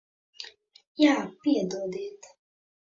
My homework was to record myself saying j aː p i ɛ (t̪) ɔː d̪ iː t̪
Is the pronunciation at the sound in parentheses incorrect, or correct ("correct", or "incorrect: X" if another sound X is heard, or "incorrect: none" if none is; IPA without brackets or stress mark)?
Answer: incorrect: d̪